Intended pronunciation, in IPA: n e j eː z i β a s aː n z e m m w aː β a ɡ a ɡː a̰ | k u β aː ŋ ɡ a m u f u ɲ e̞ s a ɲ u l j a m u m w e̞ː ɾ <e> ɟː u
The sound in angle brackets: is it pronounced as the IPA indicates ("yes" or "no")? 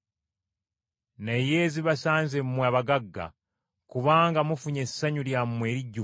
no